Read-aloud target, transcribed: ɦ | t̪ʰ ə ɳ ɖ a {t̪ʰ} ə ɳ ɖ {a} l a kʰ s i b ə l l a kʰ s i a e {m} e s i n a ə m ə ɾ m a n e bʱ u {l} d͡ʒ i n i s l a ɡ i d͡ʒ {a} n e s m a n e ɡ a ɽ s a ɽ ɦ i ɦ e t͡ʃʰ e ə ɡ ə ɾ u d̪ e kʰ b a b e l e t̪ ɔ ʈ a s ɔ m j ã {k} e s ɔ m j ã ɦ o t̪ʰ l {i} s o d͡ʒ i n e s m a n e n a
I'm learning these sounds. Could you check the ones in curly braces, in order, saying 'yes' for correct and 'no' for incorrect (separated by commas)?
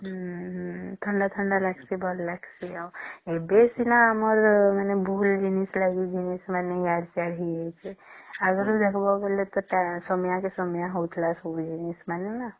yes, yes, no, yes, no, yes, no